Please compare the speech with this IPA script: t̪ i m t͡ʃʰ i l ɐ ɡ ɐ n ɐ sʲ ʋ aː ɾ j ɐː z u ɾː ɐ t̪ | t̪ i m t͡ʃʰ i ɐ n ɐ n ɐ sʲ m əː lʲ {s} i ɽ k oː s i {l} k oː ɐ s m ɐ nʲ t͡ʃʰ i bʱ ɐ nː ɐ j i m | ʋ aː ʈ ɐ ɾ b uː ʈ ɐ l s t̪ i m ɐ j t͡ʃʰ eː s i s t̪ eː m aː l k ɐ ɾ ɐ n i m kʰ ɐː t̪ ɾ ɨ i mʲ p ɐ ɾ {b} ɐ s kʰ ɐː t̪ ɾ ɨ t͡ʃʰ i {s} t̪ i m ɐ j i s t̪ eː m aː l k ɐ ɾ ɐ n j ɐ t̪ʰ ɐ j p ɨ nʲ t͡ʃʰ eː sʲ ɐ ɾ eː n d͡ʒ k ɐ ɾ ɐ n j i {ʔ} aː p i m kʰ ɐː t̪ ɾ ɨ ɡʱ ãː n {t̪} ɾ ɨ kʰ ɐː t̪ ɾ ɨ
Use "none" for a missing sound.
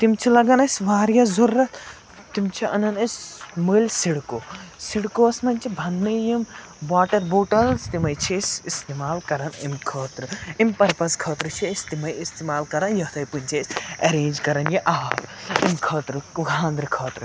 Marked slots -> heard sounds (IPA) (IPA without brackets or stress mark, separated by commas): s, ɽ, p, s, ʔ, d̪